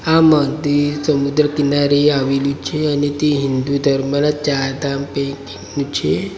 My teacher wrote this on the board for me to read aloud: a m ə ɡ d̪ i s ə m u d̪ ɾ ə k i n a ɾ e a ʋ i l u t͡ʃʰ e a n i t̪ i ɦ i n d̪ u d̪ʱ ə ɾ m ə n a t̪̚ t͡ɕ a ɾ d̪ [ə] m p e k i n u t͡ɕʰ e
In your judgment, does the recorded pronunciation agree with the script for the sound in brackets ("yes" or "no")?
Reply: no